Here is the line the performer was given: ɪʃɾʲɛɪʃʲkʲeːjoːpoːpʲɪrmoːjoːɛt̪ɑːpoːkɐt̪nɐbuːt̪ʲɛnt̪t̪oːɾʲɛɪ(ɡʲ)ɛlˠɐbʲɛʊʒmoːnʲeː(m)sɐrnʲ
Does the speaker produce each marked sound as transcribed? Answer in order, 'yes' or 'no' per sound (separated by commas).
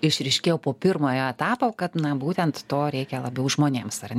no, yes